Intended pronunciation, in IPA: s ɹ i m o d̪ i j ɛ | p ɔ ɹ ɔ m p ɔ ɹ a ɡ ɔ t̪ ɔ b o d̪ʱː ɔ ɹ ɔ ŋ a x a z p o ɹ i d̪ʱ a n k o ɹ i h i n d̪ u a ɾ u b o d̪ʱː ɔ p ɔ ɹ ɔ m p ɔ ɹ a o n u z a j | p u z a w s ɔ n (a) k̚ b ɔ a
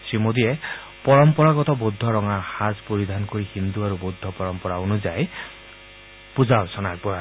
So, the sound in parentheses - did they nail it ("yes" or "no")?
yes